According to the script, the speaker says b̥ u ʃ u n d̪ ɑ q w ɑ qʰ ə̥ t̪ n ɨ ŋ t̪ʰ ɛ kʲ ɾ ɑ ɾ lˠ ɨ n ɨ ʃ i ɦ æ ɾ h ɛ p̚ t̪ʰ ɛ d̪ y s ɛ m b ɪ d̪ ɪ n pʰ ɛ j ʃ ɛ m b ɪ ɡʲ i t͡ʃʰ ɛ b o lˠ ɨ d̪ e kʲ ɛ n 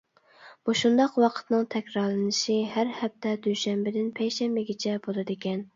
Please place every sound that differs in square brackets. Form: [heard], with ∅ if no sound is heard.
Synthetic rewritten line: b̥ u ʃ u n d̪ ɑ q w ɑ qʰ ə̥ t̪ n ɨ ŋ t̪ʰ ɛ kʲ ɾ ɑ ɾ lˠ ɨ n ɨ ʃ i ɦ æ ɾ h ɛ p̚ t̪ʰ ɛ d̪ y [ʃ] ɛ m b ɪ d̪ ɪ n pʰ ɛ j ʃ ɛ m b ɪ ɡʲ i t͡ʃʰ ɛ b o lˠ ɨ d̪ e kʲ ɛ n